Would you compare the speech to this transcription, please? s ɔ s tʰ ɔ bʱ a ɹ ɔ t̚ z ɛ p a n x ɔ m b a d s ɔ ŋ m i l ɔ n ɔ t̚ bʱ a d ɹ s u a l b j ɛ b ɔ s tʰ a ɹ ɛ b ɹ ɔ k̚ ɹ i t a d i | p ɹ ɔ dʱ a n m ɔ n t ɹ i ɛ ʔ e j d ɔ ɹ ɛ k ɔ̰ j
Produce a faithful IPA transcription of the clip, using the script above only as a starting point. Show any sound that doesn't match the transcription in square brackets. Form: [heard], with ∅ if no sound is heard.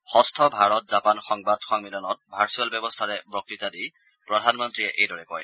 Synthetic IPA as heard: [x] ɔ s tʰ ɔ bʱ a ɹ ɔ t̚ z [a] p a n x ɔ [ŋ] b a d [x] ɔ ŋ m i l ɔ n ɔ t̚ bʱ a [∅] ɹ s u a l b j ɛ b ɔ s tʰ a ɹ ɛ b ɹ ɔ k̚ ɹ i t a d i | p ɹ ɔ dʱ a n m ɔ n t ɹ i ɛ ʔ e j d ɔ ɹ ɛ k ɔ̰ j